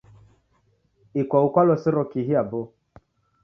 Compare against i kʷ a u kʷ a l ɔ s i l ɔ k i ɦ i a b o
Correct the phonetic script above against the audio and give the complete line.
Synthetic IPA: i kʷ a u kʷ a l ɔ s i ɾ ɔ k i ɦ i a b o